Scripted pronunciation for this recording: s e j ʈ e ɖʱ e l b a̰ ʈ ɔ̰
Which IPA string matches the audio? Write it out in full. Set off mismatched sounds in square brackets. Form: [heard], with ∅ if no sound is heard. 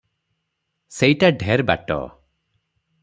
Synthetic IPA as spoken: s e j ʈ [a] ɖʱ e [ɾ] b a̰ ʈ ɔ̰